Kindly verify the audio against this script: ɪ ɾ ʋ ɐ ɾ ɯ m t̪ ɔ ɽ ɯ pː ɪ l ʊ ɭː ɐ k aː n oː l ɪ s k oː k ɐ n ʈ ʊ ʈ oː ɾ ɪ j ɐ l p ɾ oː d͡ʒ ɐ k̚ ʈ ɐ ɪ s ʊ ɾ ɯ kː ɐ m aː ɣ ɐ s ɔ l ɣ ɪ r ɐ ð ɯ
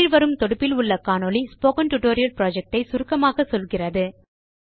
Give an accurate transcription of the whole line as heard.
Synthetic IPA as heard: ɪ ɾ ʋ ɐ ɾ ɯ m t̪ ɔ ɽ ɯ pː ɪ l ʊ ɭː ɐ k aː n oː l i s p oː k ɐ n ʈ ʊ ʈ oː ɾ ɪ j ɐ l p ɾ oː d͡ʒ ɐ k̚ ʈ ɐ ɪ s ʊ ɾ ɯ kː ɐ m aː ɣ ɐ s ɔ l ɣ ɪ r ɐ ð ɯ